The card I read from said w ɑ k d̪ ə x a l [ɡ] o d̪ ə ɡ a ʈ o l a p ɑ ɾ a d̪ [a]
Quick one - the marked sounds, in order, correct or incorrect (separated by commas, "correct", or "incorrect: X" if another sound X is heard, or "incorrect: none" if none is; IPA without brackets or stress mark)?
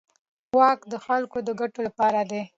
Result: incorrect: k, incorrect: e